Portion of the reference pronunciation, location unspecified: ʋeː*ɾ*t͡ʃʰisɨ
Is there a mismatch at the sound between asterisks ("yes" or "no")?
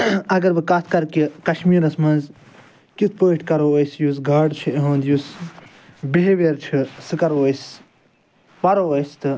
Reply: no